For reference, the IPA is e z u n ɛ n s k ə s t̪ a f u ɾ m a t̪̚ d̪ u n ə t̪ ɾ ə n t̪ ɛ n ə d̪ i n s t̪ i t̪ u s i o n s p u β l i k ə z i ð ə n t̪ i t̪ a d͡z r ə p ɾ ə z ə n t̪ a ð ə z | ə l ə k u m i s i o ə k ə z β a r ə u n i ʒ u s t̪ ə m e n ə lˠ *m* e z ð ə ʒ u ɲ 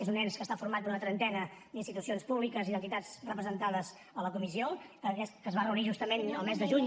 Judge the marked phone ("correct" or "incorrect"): correct